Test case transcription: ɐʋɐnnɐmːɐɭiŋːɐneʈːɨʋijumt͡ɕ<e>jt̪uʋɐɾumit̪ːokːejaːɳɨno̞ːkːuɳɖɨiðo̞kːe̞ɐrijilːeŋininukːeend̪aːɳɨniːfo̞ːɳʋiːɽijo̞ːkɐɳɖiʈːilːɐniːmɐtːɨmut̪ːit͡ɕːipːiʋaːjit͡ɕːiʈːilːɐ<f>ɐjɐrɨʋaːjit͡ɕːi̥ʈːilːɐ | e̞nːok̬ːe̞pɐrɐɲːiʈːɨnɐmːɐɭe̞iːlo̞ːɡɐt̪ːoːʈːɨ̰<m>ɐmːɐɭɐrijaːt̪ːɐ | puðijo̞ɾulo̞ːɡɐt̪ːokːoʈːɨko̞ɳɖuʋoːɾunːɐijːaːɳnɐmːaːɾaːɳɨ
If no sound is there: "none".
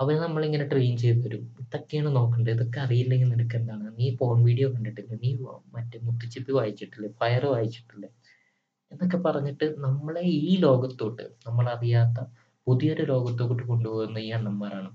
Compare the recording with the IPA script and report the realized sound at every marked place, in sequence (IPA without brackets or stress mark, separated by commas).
e, f, n